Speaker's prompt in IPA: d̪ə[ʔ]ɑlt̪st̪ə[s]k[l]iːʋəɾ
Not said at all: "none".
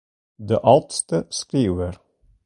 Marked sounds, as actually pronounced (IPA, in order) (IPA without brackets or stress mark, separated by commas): ʔ, s, ɾ